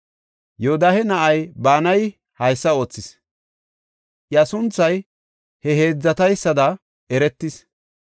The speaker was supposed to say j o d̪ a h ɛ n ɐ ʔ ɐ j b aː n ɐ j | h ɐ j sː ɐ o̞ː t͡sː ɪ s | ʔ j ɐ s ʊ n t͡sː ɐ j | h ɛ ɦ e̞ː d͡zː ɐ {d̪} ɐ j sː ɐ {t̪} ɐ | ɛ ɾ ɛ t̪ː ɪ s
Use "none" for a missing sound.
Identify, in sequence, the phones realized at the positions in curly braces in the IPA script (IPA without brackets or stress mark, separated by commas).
t̪, d̪